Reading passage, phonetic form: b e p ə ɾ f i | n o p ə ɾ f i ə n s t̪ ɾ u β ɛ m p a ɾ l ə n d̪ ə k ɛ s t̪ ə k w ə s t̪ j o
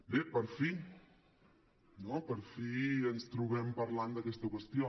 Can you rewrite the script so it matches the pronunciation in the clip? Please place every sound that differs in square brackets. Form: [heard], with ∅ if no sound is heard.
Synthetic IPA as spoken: b e p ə ɾ f i | n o p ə ɾ f i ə n s t̪ ɾ u β ɛ m p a ɾ l [a] n d̪ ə k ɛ s t̪ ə k w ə s t̪ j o